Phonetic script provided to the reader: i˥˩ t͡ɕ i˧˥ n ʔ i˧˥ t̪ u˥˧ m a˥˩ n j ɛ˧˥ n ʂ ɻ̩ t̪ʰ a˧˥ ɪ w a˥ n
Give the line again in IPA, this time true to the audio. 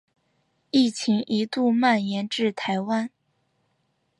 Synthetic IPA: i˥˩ t͡ɕʰ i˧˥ ŋ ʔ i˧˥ t̪ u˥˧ m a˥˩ n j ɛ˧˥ n ʈ͡ʂ ɻ̩ t̪ʰ a˧˥ ɪ w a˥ n